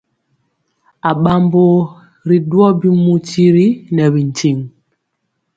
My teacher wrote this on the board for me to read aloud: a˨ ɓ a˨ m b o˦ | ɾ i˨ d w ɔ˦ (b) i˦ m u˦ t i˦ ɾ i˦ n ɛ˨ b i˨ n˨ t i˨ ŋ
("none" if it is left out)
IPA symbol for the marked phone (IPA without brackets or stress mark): b